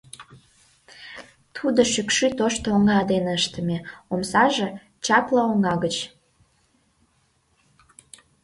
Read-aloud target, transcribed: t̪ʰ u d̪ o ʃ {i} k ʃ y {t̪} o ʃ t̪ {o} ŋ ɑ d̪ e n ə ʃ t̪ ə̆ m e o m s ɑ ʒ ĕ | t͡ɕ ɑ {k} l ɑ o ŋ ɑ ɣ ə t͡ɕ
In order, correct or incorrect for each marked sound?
incorrect, correct, correct, incorrect

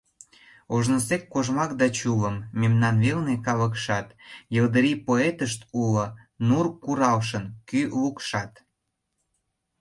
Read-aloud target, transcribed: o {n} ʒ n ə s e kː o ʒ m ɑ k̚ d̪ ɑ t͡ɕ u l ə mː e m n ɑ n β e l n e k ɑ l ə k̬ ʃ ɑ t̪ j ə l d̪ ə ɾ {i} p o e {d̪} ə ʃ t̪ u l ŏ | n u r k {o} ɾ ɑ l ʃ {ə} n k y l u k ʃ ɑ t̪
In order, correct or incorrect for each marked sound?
incorrect, correct, incorrect, incorrect, correct

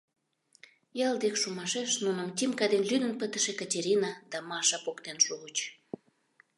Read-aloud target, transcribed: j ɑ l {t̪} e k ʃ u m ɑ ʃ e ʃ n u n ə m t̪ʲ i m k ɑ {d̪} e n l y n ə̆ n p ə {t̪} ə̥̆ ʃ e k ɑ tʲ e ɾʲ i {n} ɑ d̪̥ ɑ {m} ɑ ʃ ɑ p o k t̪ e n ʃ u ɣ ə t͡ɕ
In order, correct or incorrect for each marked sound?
incorrect, correct, correct, correct, correct

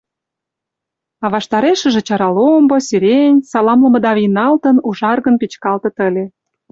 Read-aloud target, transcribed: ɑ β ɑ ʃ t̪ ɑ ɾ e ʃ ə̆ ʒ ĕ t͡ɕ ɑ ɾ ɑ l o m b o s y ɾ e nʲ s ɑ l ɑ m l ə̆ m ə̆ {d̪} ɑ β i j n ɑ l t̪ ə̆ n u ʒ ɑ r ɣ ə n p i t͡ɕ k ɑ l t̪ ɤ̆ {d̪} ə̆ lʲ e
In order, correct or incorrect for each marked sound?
correct, incorrect

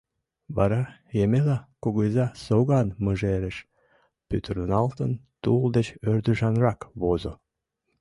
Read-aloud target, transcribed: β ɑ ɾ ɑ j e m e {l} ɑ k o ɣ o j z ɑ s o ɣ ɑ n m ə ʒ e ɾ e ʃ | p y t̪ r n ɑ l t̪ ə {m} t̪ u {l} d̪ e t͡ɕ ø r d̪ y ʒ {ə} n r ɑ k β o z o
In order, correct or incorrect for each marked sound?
correct, incorrect, correct, incorrect

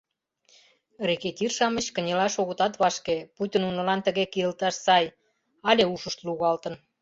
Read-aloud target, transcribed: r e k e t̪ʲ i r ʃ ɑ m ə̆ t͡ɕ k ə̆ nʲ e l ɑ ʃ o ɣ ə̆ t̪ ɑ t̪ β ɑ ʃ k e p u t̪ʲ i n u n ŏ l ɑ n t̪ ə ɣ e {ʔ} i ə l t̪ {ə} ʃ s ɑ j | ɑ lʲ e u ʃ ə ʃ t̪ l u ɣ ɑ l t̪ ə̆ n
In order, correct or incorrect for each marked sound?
incorrect, incorrect

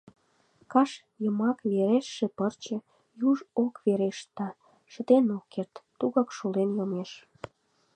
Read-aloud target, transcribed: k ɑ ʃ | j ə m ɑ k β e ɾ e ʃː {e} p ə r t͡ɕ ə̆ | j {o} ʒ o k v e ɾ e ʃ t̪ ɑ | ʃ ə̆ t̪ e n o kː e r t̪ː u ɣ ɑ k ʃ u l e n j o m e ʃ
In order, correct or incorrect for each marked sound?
correct, incorrect

